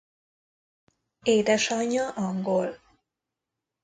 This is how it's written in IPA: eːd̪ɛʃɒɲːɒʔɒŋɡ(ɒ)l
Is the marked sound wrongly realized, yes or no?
yes